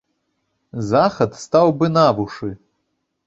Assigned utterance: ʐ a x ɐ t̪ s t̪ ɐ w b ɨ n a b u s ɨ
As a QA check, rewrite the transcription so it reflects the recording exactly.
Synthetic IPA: z a x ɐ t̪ s t̪ a w b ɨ n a v u ʂ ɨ